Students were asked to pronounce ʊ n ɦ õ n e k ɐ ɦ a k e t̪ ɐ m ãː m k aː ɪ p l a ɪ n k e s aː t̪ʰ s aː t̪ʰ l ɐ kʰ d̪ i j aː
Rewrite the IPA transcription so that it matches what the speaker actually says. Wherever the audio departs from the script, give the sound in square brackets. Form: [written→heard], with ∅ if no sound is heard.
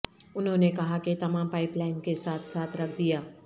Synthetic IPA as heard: ʊ n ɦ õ n e k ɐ ɦ a k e t̪ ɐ m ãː m [k→p] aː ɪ p l a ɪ n k e s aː t̪ʰ s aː t̪ʰ [l→ɾ] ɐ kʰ d̪ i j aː